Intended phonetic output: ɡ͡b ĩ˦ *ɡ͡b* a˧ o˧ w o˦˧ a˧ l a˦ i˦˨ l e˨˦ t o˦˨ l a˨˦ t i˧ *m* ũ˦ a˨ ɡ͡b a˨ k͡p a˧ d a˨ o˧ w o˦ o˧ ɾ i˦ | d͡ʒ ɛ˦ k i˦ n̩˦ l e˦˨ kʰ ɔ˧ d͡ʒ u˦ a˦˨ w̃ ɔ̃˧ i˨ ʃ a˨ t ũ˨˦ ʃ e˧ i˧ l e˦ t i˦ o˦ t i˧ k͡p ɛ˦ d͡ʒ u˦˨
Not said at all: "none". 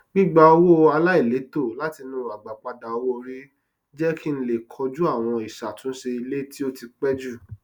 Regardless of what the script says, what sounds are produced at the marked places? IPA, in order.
ɡ͡b, n

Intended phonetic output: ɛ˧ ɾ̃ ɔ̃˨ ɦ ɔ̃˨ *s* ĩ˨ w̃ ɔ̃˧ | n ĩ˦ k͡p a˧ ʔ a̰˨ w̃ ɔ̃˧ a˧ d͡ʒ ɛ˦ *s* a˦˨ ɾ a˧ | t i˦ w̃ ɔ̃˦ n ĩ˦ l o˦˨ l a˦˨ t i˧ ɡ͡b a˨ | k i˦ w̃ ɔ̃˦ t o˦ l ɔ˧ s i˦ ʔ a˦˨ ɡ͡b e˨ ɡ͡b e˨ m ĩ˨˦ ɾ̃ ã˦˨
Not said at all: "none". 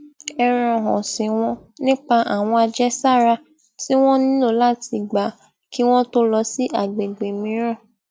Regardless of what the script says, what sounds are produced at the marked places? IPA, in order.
s, s

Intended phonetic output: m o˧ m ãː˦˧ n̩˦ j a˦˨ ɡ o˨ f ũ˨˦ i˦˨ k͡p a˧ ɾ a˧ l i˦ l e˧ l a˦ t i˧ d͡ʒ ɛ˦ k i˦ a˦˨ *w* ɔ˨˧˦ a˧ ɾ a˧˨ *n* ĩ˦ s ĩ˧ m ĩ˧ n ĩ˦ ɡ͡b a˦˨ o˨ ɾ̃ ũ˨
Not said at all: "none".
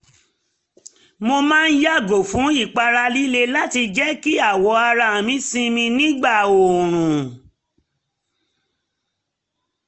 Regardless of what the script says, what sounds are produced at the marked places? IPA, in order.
w, m

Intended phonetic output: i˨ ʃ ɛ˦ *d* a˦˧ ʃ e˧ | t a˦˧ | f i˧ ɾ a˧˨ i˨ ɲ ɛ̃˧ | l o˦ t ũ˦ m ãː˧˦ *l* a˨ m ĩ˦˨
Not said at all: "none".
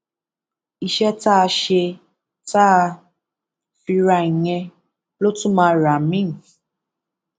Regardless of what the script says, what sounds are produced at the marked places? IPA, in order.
t, ɾ

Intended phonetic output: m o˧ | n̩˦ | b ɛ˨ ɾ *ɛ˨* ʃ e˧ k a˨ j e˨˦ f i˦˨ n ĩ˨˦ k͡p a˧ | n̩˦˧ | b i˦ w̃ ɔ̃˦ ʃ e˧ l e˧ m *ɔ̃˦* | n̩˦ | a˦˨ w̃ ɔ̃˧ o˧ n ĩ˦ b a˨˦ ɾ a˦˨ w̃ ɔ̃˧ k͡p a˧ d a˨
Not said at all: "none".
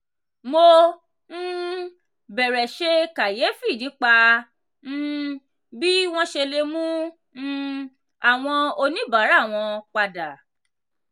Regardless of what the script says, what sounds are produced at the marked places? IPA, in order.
ɛ˨, ũ˦

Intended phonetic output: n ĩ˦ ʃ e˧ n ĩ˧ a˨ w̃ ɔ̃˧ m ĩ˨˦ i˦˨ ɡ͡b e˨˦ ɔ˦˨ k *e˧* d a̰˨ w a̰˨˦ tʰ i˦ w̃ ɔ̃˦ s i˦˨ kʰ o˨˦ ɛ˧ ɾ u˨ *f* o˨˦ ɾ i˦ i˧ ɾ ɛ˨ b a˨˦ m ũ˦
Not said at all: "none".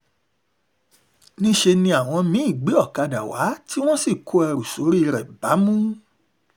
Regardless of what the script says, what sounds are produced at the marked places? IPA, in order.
a˧, s

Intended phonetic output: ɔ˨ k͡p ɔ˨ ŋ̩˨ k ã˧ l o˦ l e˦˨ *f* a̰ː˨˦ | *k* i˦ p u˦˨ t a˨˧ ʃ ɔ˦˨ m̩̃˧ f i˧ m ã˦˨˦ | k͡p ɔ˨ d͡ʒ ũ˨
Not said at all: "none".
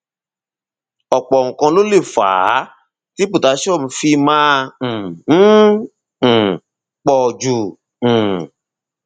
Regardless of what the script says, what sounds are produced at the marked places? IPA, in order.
f, t

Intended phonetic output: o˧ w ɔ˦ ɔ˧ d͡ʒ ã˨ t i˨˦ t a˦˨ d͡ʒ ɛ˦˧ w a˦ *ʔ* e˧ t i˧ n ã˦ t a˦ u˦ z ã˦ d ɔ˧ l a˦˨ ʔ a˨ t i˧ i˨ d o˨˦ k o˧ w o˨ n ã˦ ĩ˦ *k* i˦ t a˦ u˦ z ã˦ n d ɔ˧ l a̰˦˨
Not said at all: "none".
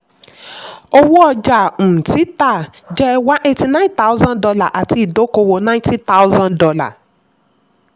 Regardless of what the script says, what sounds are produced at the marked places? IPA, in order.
ʔ, t

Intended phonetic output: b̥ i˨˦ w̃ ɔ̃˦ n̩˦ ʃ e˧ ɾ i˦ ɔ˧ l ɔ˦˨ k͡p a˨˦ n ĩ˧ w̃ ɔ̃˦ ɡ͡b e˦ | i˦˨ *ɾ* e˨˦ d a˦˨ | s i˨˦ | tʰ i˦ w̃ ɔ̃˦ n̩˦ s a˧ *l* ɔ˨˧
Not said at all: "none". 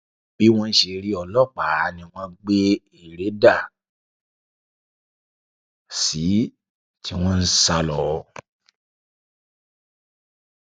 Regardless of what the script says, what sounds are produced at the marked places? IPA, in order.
ɾ, l

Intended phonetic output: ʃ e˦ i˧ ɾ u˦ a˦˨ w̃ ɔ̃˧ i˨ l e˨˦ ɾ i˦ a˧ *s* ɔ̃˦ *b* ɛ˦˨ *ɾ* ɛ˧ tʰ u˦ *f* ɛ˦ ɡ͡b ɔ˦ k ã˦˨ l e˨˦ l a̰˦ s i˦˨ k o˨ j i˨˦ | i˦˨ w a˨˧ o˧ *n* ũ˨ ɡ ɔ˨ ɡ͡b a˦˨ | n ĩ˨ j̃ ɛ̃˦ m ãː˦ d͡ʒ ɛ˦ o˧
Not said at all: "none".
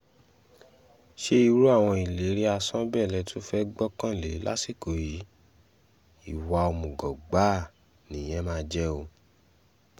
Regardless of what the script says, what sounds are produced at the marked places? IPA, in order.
s, b, l, f, m

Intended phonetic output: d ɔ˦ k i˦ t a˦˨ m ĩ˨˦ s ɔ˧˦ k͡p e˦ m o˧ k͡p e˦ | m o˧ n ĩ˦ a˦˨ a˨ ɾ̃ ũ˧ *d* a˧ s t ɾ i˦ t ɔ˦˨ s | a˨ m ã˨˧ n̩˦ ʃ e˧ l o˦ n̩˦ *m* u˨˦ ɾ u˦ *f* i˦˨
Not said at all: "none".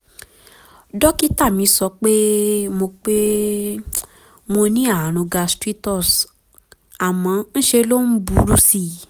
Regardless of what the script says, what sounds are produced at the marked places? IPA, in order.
ɡ, b, s

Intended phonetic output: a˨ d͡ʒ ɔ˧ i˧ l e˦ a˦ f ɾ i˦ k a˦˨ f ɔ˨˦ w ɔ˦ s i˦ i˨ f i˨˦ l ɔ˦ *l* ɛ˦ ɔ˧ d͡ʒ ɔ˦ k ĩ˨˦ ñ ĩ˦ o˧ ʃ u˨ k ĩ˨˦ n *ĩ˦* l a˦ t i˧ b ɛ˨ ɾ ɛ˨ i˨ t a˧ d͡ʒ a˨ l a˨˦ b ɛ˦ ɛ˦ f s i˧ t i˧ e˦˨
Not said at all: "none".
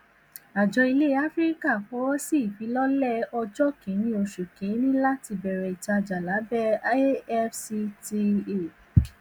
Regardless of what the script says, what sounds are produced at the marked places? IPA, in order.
l, ĩ˦

